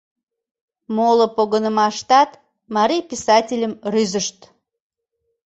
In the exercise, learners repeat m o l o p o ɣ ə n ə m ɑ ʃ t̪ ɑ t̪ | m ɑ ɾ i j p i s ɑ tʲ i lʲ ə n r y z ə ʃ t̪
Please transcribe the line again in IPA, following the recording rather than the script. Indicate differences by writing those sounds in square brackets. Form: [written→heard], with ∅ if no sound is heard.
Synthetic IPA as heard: m o l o p o ɣ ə n ə m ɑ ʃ t̪ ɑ t̪ | m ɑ ɾ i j p i s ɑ tʲ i lʲ ə [n→m] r y z ə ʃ t̪